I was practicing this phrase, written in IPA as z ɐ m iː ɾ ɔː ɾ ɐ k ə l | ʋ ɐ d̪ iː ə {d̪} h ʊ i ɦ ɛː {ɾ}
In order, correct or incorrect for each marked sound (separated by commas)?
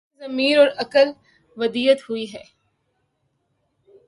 incorrect, incorrect